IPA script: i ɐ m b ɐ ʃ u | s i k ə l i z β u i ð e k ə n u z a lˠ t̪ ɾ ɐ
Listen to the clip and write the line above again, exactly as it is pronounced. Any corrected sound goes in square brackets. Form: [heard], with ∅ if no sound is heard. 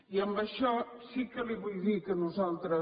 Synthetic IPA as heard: i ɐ m b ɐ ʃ [ɔ] | s i k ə l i [∅] β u [j] ð [i] k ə n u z a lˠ t̪ ɾ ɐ